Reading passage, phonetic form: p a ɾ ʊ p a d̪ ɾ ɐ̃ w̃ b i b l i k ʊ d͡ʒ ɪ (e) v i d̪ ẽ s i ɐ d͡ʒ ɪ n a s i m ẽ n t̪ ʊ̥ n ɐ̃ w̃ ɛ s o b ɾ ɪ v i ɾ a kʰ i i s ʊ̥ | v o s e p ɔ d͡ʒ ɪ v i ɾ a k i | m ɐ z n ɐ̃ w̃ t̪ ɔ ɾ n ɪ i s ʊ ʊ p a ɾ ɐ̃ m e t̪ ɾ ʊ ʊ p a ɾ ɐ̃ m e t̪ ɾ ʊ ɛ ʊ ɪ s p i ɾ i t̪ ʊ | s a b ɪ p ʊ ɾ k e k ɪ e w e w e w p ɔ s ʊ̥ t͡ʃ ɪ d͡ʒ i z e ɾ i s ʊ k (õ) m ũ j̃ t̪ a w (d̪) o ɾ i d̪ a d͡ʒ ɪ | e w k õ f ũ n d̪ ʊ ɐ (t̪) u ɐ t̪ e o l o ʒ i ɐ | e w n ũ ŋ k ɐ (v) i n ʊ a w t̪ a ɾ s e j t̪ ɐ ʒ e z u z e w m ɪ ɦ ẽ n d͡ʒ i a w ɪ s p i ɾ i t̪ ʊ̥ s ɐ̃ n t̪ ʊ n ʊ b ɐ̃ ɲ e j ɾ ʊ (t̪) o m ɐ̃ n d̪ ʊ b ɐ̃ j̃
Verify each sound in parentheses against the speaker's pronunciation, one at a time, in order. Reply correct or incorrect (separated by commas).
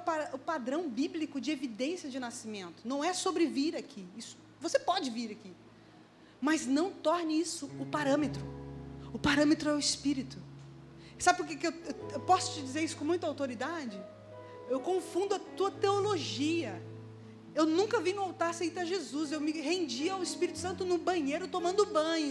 correct, correct, incorrect, correct, correct, correct